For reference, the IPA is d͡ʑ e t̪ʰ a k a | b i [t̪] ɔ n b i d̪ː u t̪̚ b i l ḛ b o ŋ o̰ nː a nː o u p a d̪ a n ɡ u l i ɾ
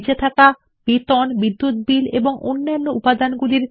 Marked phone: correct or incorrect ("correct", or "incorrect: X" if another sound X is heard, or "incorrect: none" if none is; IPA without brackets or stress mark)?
correct